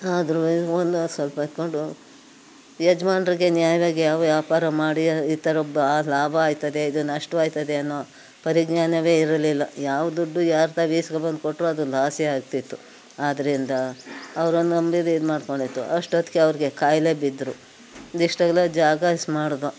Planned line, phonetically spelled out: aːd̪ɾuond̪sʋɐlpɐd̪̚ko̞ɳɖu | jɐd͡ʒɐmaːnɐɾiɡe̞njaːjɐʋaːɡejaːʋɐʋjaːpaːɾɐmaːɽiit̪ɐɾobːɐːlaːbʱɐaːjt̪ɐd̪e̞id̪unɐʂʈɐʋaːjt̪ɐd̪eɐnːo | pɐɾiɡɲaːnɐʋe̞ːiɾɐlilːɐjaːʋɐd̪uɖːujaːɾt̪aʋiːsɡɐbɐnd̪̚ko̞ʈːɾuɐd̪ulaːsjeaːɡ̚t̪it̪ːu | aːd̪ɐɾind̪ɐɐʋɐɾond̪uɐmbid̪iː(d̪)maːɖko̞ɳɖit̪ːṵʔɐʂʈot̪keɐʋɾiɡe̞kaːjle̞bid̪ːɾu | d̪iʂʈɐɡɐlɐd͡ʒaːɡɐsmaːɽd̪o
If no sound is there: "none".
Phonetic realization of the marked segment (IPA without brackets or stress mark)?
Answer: d̪